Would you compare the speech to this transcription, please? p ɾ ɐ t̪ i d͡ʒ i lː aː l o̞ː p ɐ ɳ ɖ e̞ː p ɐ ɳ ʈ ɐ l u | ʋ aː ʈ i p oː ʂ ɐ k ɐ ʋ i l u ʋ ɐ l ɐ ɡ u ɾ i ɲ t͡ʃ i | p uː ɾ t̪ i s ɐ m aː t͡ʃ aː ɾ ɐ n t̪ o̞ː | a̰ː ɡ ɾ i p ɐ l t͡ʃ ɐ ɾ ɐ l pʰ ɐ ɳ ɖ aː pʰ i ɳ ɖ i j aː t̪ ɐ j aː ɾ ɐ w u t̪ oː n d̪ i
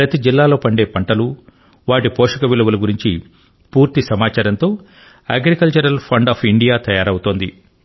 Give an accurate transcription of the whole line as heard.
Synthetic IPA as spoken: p ɾ ɐ t̪ i d͡ʒ i lː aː l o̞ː p ɐ ɳ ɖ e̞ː p ɐ ɳ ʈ ɐ l u | ʋ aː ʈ i p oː ʂ ɐ k ɐ ʋ i l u ʋ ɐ l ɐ ɡ u ɾ i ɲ t͡ʃ i | p uː ɾ t̪ i s ɐ m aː t͡ʃ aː ɾ ɐ n t̪ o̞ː | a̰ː ɡ ɾ i k ɐ l t͡ʃ ɐ ɾ ɐ l pʰ ɐ ɳ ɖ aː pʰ i ɳ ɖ i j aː t̪ ɐ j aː ɾ ɐ w u t̪ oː n d̪ i